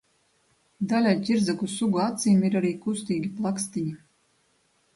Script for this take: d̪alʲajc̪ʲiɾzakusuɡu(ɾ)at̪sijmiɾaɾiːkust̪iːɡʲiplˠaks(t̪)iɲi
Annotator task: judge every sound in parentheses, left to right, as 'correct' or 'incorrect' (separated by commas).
incorrect, correct